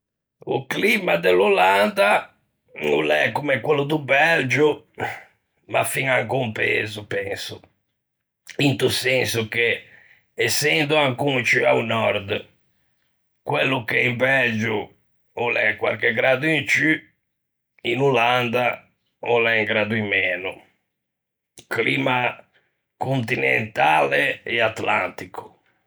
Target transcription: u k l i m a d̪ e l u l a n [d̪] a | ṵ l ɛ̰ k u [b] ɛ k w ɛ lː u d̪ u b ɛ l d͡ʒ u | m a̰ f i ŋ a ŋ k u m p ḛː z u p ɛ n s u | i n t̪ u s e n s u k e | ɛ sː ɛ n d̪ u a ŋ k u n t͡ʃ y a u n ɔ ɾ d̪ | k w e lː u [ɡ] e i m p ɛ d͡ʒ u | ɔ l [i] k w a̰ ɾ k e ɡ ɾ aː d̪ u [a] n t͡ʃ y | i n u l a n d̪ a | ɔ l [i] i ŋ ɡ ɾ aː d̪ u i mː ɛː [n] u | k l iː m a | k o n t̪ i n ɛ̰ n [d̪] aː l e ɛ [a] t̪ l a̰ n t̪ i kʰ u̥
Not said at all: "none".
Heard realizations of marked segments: d̪, m, k, ɛ, i, ɛ, n, t̪, a

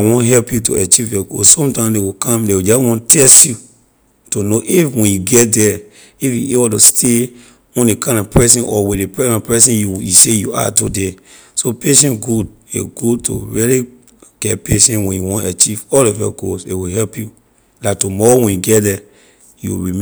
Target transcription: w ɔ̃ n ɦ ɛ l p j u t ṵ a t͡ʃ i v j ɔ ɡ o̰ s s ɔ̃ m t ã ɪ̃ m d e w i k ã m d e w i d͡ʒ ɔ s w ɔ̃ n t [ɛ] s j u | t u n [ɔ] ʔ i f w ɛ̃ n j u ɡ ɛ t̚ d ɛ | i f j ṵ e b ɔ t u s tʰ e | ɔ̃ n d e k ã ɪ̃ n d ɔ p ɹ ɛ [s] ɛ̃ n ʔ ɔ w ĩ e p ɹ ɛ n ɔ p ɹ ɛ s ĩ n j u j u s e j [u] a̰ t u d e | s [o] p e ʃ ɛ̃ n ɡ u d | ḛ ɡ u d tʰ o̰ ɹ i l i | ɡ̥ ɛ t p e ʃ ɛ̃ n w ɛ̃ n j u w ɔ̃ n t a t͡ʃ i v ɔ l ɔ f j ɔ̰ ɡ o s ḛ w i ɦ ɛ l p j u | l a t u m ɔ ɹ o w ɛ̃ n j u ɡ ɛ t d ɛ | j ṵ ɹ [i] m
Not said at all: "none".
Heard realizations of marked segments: ɛ, o, s, u, o, i

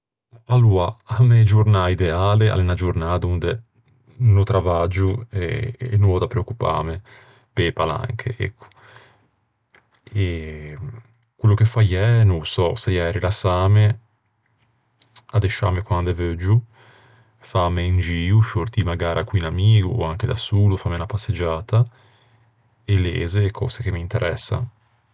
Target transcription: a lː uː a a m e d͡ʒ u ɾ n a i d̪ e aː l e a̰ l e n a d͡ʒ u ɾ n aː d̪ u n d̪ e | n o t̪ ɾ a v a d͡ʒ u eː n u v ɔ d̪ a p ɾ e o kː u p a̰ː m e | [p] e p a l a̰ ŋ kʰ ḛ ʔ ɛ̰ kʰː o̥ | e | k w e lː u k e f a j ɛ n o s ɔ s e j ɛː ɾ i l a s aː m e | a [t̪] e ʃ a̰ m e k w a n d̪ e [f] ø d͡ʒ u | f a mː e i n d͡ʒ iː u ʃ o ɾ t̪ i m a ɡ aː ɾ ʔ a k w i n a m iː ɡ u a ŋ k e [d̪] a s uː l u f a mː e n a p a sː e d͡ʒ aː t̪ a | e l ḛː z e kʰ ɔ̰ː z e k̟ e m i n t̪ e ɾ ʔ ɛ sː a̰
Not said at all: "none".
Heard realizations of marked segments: p, d̪, v, d̪

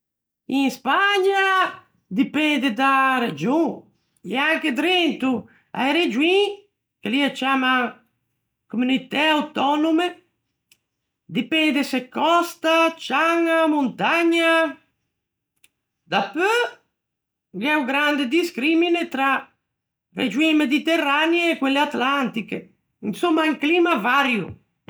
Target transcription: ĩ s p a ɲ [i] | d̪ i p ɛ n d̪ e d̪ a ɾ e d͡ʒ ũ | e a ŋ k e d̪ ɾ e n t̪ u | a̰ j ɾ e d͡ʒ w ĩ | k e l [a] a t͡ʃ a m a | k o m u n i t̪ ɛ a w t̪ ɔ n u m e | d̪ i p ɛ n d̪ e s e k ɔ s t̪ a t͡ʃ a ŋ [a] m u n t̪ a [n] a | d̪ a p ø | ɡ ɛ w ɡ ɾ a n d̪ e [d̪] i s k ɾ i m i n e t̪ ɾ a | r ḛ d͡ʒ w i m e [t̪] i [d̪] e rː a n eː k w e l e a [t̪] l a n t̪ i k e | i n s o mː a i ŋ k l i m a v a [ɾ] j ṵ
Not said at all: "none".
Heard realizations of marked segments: a, i, a, ɲ, d̪, d̪, t̪, t̪, ɾ

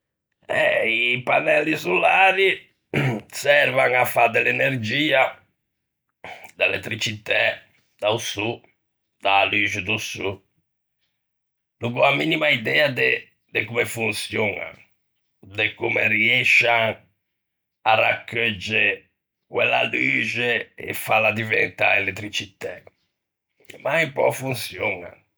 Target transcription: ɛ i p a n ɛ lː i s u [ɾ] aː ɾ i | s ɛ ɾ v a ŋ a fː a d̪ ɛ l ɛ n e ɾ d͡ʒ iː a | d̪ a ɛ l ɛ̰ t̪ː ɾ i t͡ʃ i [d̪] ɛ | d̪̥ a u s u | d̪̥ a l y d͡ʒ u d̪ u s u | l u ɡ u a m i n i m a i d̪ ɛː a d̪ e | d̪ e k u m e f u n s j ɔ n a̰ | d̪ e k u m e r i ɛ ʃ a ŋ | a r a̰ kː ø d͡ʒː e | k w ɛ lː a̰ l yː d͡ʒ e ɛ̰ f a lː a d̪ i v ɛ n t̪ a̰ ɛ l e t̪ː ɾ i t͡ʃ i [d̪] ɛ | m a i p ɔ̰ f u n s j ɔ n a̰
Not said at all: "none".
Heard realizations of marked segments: l, t̪, t̪

